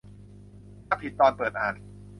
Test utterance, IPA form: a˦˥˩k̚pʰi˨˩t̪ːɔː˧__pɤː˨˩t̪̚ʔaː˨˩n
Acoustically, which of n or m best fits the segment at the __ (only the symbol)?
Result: n